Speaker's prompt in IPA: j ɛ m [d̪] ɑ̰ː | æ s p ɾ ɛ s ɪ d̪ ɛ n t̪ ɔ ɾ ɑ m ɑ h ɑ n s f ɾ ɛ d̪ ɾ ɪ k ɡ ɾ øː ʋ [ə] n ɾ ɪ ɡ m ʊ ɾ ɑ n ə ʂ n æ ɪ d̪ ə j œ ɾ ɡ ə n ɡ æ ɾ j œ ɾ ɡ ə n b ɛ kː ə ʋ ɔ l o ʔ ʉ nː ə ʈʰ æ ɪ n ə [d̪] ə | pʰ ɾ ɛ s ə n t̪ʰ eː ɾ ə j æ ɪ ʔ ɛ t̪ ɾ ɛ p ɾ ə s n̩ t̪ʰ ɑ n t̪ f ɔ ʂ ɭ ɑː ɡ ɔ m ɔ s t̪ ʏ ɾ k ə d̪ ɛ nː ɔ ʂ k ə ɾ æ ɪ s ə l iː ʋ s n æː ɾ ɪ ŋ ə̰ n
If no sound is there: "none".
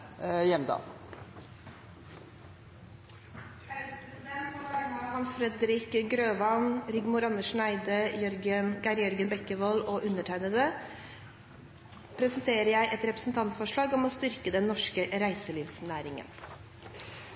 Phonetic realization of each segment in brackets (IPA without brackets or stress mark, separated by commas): d̪, ɑ, d̪